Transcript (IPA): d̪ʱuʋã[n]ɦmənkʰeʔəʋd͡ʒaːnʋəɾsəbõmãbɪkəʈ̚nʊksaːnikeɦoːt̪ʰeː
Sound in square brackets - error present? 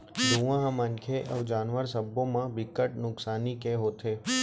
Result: yes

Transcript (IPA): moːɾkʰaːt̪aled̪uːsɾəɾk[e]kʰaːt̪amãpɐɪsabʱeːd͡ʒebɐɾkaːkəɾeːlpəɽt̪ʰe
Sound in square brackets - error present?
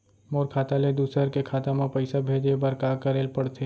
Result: no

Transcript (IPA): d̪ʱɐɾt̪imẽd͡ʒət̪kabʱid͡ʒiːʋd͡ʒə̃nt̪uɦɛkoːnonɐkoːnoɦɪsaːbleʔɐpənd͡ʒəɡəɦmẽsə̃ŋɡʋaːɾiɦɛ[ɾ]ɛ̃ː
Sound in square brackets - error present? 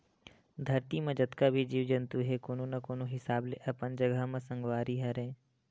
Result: no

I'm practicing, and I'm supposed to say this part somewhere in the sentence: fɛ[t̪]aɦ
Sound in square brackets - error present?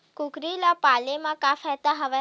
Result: no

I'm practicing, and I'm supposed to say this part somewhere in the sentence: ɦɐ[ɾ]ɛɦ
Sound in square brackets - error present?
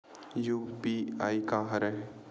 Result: no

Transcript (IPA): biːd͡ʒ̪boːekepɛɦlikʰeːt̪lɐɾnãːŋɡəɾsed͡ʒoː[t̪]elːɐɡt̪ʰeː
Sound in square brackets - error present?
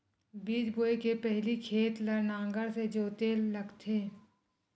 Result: no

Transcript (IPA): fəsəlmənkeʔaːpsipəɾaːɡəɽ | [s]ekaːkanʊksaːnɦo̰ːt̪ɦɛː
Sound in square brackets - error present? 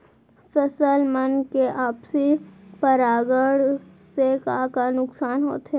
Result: no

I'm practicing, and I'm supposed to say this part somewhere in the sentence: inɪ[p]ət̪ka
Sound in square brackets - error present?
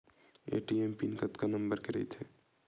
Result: yes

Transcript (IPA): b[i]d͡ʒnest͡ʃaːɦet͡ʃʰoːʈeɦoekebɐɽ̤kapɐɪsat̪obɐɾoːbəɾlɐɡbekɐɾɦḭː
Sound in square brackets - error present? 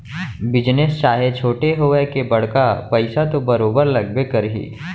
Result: yes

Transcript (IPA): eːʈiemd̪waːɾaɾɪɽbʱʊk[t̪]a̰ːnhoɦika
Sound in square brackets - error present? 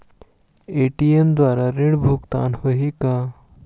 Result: no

